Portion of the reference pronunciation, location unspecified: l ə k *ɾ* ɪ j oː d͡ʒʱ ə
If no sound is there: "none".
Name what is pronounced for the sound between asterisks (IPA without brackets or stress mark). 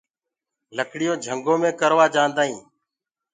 ɽ